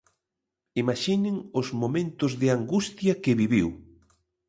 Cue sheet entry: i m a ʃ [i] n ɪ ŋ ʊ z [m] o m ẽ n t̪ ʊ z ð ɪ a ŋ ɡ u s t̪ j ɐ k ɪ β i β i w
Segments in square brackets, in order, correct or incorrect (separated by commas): correct, correct